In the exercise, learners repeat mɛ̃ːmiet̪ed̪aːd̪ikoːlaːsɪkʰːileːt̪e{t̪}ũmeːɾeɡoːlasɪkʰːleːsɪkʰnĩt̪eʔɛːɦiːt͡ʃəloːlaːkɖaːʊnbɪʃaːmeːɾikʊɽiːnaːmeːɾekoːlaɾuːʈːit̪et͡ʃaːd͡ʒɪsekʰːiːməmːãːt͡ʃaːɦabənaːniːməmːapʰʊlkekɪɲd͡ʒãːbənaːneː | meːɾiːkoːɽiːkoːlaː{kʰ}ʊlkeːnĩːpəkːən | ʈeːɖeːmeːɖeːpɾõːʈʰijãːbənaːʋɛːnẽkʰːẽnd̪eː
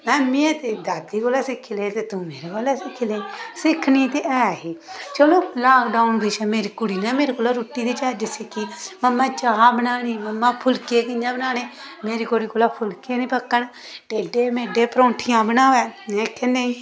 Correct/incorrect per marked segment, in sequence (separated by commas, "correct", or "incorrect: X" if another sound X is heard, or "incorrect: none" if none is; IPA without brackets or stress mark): correct, incorrect: pʰ